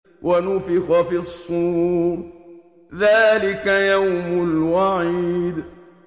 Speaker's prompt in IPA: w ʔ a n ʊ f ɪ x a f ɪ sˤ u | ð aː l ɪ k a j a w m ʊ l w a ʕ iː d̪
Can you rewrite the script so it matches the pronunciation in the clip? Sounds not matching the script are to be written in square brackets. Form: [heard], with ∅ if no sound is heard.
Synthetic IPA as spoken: w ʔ a n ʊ f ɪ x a f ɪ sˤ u | ð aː l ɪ k a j a w m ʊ l w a ʕ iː d̪